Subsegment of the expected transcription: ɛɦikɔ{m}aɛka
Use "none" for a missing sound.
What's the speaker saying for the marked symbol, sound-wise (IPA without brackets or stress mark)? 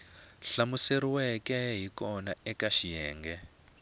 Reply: n